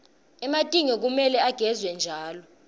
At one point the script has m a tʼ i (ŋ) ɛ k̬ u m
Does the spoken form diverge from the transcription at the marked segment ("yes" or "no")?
no